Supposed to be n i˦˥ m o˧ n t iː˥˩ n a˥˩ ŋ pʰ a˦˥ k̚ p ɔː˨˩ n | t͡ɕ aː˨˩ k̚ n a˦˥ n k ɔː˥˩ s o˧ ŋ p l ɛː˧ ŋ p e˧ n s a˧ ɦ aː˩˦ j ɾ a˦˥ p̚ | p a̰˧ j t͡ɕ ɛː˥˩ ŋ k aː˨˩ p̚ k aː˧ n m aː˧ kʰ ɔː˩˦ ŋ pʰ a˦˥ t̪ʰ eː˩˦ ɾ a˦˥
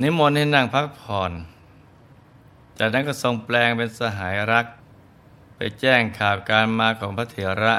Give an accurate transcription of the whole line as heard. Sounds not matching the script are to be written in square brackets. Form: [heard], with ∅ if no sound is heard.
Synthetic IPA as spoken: n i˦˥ m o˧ n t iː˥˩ n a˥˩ ŋ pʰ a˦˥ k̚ [pʰ] ɔː˨˩ n | t͡ɕ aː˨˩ k̚ n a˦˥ n k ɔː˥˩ s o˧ ŋ p l ɛː˧ ŋ p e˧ n s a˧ ɦ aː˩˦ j ɾ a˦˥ [k̚] | p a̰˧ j t͡ɕ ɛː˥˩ ŋ [kʰ] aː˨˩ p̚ k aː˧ n m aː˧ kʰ ɔː˩˦ ŋ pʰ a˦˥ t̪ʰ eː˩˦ ɾ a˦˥